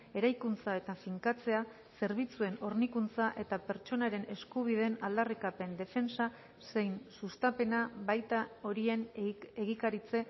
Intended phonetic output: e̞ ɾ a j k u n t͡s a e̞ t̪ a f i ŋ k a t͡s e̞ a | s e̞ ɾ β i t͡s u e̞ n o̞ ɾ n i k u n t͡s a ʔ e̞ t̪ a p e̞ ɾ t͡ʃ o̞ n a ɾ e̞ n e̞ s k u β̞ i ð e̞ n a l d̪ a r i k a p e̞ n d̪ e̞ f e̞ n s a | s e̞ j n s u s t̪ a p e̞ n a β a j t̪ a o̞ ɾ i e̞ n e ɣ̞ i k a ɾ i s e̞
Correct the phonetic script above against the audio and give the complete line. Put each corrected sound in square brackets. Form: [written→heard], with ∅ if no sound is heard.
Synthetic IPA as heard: e̞ ɾ a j k u n t͡s a e̞ t̪ a f i ŋ k a t͡s e̞ a | s e̞ ɾ β i t͡s u e̞ n o̞ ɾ n i k u n t͡s a ʔ e̞ t̪ a p e̞ ɾ t͡ʃ o̞ n a ɾ e̞ n e̞ s k u β̞ i ð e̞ n a l d̪ a r i k a p e̞ n d̪ e̞ f e̞ n s a | s e̞ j n s u s t̪ a p e̞ n a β a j t̪ a o̞ ɾ i e̞ n e ɣ̞ i k a ɾ i [s→t͡s] e̞